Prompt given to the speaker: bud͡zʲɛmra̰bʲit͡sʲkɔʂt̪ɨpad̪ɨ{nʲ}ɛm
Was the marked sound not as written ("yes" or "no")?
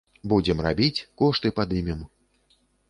yes